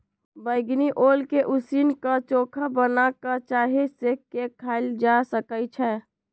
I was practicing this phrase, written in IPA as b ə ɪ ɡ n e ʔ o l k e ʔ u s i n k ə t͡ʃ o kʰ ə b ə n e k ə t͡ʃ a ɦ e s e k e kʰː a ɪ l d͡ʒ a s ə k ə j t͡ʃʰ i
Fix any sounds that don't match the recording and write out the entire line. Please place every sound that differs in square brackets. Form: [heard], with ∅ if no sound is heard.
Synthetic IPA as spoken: b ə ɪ ɡ n [i] ʔ o l k e ʔ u s i n k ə t͡ʃ o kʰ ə b ə n [a] k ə t͡ʃ a ɦ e s e k e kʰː a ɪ l d͡ʒ a s ə k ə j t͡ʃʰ [ɛ]